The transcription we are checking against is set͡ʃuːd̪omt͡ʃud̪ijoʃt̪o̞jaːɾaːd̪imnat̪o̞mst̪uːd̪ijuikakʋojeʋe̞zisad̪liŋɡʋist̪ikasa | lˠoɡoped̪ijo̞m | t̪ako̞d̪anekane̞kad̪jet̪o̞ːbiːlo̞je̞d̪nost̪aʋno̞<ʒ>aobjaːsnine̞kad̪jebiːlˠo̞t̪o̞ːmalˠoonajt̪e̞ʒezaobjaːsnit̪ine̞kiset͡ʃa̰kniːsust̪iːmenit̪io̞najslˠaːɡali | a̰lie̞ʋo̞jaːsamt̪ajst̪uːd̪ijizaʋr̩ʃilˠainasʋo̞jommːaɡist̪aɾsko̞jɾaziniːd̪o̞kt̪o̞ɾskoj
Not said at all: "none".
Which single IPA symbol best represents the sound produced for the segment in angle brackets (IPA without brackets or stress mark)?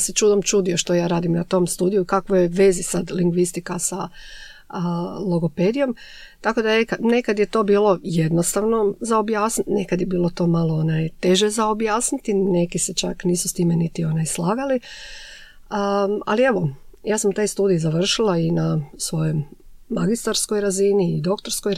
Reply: z